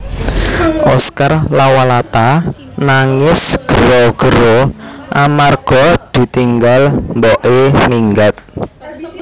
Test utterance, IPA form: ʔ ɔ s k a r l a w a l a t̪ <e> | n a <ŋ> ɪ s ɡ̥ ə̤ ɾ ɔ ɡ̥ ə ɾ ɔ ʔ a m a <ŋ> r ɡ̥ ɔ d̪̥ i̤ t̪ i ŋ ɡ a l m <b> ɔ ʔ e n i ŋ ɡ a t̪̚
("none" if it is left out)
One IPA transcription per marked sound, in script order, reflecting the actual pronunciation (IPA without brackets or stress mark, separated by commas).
a, ŋ, none, b